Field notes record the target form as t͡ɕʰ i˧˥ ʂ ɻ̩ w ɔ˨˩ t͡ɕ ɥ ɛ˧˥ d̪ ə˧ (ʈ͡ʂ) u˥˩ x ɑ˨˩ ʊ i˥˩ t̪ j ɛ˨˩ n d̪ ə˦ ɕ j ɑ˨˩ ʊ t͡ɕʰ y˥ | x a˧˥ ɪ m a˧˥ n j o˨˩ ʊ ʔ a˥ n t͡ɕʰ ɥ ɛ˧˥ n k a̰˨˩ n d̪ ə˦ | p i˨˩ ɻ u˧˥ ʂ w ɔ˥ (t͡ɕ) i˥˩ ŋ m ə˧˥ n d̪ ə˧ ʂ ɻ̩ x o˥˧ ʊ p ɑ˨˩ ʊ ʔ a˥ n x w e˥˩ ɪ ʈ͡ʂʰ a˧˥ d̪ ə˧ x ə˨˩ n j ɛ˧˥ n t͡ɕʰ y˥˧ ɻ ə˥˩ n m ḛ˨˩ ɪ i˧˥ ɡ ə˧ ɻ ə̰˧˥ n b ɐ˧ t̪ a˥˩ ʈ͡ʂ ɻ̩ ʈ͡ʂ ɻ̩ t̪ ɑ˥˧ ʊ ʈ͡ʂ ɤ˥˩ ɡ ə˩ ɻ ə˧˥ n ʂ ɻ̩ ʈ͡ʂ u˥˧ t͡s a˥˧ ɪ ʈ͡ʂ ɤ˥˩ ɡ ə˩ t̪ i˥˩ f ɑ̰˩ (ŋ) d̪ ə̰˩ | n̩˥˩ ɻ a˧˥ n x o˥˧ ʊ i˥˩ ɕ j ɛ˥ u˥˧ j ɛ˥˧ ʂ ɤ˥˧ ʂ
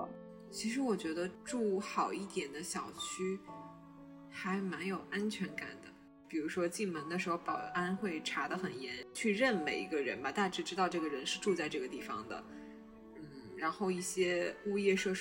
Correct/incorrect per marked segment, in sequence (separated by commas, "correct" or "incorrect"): correct, correct, correct